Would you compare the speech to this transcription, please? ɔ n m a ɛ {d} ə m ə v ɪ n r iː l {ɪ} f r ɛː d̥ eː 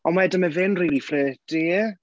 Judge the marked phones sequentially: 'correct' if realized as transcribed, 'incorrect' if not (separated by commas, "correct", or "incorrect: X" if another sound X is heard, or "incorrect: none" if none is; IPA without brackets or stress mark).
correct, incorrect: i